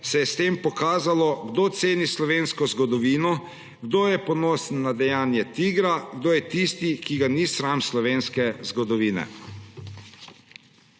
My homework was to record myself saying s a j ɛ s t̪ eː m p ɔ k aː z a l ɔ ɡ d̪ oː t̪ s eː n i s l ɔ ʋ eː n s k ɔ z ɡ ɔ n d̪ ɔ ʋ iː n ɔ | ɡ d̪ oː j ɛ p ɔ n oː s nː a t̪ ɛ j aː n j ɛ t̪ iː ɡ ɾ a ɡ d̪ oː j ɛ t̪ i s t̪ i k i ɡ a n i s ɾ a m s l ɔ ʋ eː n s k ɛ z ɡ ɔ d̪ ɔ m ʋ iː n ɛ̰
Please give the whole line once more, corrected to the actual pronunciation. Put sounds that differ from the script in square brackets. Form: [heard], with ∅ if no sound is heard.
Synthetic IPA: s [ɛ] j ɛ s t̪ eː m p ɔ k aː z a l ɔ ɡ d̪ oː t̪ s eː n i s l ɔ ʋ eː n s k ɔ z ɡ ɔ [∅] d̪ ɔ ʋ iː n ɔ | ɡ d̪ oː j ɛ p ɔ n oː s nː a [d̪] ɛ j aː n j ɛ t̪ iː ɡ ɾ a ɡ d̪ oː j ɛ t̪ i s t̪ i k i ɡ a n i s ɾ a m s l ɔ ʋ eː n s k ɛ z ɡ ɔ d̪ ɔ [∅] ʋ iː n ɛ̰

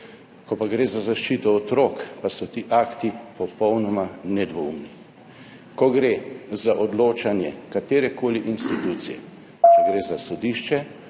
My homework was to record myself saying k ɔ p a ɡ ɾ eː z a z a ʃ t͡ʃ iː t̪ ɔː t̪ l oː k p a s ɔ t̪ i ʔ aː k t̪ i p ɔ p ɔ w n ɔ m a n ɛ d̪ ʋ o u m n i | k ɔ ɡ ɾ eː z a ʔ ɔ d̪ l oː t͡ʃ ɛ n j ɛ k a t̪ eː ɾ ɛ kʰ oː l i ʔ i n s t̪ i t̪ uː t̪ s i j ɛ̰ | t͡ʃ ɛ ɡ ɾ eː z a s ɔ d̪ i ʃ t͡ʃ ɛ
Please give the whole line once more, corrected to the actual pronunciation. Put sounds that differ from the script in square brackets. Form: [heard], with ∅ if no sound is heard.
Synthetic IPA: k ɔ p a ɡ ɾ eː z a z a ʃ t͡ʃ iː t̪ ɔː t̪ [ɾ] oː k p a s ɔ t̪ i ʔ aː k t̪ i p ɔ p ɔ w n ɔ m a n ɛ d̪ ʋ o u m n i | k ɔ ɡ ɾ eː z a ʔ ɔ d̪ l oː t͡ʃ [a] n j ɛ k a t̪ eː ɾ ɛ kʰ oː l i ʔ i n s t̪ i t̪ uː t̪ s i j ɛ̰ | t͡ʃ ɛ ɡ ɾ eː z a s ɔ d̪ i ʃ t͡ʃ ɛ

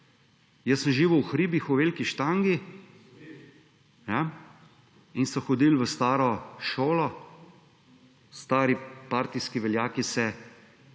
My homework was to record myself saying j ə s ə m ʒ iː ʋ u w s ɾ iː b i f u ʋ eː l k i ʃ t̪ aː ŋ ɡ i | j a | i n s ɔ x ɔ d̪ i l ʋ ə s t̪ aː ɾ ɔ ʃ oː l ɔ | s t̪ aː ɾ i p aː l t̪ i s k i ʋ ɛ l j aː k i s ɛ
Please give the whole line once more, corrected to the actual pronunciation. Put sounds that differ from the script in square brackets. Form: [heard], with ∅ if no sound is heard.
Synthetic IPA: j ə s ə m ʒ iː ʋ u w [x] ɾ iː b i [x] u ʋ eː l k i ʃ t̪ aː ŋ ɡ i | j a | i n s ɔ x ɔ d̪ i l ʋ ə s t̪ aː ɾ ɔ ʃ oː l ɔ | s t̪ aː ɾ i p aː [ɾ] t̪ i s k i ʋ ɛ l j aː k i s ɛ

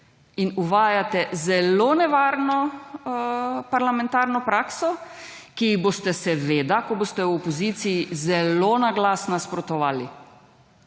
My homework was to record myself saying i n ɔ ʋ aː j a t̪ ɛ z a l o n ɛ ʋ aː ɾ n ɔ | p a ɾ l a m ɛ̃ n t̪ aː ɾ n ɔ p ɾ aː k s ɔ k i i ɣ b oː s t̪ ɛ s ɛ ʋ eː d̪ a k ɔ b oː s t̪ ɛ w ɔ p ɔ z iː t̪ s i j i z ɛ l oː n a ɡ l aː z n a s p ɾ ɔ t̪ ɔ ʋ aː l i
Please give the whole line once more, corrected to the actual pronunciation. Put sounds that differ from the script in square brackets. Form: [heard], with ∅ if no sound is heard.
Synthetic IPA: i n [u] ʋ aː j a t̪ ɛ z [ɛ] l o n ɛ ʋ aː ɾ n ɔ | p a ɾ l a m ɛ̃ n t̪ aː ɾ n ɔ p ɾ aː k s ɔ k i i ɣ b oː s t̪ ɛ s ɛ ʋ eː d̪ a k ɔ b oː s t̪ ɛ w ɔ p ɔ z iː t̪ s i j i z ɛ l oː n a ɡ l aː [s] n a s p ɾ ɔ t̪ ɔ ʋ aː l i

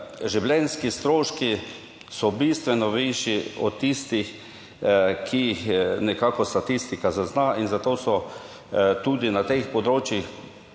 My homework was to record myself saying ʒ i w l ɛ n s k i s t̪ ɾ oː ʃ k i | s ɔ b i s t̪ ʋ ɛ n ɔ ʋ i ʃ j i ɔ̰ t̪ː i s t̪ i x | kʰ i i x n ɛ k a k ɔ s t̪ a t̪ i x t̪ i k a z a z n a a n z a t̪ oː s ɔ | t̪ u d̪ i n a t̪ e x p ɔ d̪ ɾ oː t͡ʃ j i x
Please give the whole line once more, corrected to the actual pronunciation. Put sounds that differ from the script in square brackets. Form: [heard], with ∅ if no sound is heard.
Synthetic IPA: ʒ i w l ɛ n s k i s t̪ ɾ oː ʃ k i | s ɔ b i s t̪ ʋ ɛ n ɔ ʋ i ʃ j i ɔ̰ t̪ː i s t̪ i x | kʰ i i x n ɛ k a k ɔ s t̪ a t̪ i [s] t̪ i k a z a z n a [i] n z a t̪ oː s ɔ | t̪ u d̪ i n a t̪ e x p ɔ d̪ ɾ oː t͡ʃ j i x

